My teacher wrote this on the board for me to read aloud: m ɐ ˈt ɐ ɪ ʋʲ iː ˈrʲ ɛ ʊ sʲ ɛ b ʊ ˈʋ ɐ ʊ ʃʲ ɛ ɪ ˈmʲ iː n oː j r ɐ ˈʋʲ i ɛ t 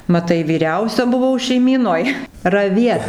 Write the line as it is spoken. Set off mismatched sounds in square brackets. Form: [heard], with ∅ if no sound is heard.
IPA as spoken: m ɐ ˈt ɐ ɪ ʋʲ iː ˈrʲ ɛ ʊ sʲ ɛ b ʊ ˈʋ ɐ ʊ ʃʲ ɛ ɪ ˈmʲ iː n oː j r ɐ ˈʋʲ i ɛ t